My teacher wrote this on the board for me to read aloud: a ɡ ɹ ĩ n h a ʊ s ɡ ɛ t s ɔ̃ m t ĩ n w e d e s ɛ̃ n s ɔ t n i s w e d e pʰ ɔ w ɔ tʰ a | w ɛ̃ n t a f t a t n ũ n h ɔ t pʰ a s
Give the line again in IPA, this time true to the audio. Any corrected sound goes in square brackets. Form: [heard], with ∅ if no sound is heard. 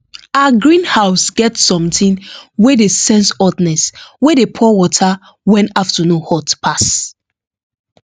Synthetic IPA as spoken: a ɡ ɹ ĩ n h a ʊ s ɡ ɛ t s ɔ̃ m t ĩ n w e d e s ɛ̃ n s ɔ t n [ɛ] s w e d e pʰ ɔ w ɔ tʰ a | w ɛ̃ n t a f t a [∅] n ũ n h ɔ t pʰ a s